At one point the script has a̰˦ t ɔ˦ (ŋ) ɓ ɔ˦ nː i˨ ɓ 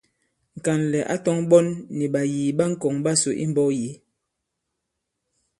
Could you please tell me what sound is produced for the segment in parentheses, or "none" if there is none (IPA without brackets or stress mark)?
ŋ